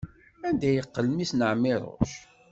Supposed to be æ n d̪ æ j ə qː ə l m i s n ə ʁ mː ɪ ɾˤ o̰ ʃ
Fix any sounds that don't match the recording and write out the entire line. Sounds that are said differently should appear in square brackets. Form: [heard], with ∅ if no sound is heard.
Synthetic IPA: æ n d̪ æ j ə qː ə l m i s n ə [ʕ] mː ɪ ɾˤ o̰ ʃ